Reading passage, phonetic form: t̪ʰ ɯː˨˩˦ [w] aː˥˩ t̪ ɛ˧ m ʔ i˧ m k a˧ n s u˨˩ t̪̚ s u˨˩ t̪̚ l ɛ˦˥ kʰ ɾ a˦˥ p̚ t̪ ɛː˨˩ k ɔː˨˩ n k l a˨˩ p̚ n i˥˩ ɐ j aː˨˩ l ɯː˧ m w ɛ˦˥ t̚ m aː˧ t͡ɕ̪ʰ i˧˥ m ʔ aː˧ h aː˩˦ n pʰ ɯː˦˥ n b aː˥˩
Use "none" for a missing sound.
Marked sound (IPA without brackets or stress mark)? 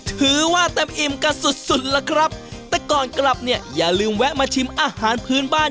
w